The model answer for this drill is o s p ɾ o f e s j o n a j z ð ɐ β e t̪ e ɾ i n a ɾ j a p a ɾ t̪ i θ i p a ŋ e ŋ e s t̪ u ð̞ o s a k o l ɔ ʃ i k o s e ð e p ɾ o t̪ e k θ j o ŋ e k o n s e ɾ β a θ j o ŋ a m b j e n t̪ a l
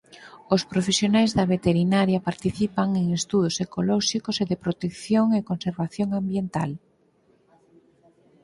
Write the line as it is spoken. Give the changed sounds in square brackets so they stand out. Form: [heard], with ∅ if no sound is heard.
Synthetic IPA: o s p ɾ o f e s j o n a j z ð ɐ β e t̪ e ɾ i n a ɾ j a p a ɾ t̪ i θ i p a ŋ e ŋ e s t̪ u ð̞ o s [e] k o l ɔ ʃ i k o s e ð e p ɾ o t̪ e k θ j o ŋ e k o n s e ɾ β a θ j o ŋ a m b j e n t̪ a l